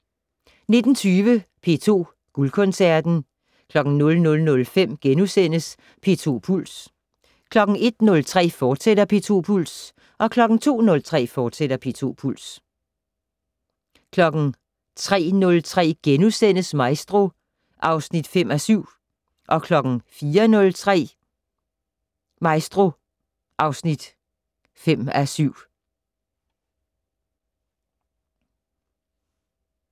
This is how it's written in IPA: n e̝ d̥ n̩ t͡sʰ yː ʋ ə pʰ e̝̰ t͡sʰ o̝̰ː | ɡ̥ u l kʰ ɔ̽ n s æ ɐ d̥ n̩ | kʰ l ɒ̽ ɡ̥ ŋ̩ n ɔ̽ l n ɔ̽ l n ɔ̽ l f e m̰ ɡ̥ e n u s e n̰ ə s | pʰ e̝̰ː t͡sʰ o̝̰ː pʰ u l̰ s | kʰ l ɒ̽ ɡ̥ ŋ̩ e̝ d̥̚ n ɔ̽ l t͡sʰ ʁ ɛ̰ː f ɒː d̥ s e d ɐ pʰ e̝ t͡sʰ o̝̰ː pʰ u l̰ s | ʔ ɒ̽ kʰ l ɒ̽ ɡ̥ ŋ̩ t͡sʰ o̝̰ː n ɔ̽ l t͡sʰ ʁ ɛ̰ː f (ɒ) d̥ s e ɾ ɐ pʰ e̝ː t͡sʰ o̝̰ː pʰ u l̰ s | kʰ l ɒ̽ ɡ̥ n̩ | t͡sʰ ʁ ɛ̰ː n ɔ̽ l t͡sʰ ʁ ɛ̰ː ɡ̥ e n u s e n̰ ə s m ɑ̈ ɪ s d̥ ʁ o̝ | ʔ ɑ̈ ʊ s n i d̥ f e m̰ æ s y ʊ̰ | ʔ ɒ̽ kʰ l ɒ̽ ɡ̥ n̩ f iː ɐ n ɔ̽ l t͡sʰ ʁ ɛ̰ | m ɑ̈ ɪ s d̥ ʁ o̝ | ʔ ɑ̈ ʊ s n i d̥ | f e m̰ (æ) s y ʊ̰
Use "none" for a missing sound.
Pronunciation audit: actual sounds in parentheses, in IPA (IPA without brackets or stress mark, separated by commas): ɒː, æ